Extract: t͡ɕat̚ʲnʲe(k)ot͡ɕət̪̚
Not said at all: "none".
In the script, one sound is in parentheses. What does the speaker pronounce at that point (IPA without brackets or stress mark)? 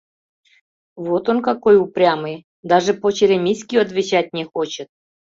x